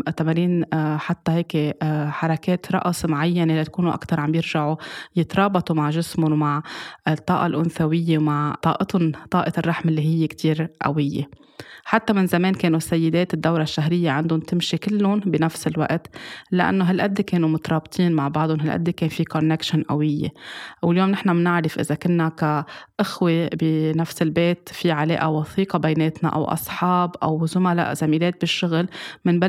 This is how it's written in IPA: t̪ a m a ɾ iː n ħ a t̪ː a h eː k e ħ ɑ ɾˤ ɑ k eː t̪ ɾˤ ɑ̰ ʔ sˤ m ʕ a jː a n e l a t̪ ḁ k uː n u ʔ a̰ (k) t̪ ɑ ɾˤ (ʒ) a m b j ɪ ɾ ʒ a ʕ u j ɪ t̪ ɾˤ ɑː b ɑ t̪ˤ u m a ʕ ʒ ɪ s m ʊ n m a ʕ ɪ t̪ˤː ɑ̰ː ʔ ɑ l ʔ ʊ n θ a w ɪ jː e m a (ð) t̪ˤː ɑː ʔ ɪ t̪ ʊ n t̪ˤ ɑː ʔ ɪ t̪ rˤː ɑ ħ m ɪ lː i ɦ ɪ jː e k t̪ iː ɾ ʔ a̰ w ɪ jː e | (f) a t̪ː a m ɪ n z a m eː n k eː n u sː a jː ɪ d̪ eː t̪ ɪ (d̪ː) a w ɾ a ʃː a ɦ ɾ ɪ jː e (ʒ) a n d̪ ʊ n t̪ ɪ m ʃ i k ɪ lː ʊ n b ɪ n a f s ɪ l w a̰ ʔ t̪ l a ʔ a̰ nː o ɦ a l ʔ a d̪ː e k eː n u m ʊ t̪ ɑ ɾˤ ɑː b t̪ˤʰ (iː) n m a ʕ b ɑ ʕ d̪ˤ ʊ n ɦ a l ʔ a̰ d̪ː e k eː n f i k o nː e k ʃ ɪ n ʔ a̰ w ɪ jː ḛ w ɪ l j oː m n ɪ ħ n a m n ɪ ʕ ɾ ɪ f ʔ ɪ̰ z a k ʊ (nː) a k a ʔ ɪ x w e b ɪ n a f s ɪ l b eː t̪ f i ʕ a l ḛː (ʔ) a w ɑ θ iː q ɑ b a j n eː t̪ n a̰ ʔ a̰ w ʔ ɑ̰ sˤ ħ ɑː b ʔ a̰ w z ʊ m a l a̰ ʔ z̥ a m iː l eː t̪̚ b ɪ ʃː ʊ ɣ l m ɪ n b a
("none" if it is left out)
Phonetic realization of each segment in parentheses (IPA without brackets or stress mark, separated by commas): k, ʕ, ʕ, ħ, d̪ː, ʕ, iː, nː, ʔ